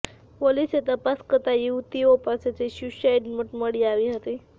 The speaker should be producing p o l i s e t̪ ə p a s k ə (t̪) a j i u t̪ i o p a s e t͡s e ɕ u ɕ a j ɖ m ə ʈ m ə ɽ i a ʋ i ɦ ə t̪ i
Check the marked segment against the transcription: correct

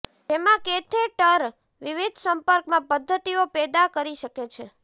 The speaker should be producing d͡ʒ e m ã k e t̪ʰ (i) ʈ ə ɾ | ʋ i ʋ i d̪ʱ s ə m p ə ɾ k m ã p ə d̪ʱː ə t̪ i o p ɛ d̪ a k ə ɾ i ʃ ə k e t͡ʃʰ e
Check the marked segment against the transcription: incorrect: e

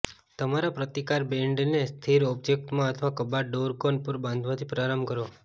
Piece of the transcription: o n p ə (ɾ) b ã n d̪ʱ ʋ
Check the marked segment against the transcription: correct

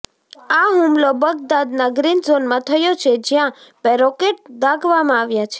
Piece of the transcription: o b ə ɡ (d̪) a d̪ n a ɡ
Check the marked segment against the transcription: correct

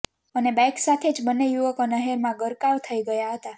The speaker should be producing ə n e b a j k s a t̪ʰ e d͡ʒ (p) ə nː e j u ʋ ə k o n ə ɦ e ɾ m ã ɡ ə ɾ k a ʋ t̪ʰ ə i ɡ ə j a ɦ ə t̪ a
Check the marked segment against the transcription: incorrect: b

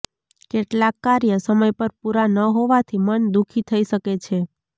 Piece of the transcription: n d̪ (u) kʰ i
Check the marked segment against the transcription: correct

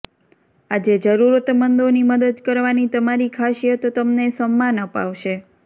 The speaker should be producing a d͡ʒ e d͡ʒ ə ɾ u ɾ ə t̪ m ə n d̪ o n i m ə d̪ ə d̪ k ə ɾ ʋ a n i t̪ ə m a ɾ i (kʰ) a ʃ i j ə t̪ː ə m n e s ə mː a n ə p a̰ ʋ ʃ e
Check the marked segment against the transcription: correct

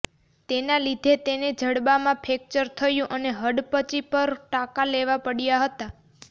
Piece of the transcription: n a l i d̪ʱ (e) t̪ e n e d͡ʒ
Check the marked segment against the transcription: correct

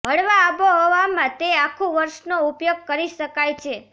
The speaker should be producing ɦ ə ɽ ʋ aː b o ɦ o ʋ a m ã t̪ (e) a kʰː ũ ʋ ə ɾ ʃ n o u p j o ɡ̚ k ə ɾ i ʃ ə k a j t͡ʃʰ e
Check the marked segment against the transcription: correct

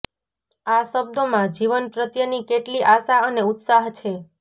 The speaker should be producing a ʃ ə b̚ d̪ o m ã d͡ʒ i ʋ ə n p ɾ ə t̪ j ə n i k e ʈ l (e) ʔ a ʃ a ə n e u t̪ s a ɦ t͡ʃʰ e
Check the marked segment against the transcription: incorrect: i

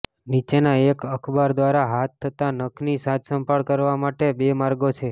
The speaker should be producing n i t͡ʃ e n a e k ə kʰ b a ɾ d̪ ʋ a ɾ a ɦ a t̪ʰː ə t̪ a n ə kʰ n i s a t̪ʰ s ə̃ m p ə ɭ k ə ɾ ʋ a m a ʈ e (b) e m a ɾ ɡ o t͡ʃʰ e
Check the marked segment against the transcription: correct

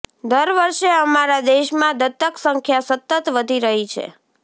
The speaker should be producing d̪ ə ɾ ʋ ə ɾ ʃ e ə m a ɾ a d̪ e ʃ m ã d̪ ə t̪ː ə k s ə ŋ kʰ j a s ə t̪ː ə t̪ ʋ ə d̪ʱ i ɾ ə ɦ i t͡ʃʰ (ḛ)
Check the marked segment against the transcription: correct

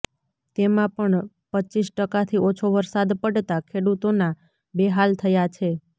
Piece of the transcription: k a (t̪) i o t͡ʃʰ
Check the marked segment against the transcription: incorrect: t̪ʰ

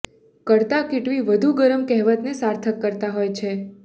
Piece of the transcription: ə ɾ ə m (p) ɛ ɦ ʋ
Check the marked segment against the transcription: incorrect: k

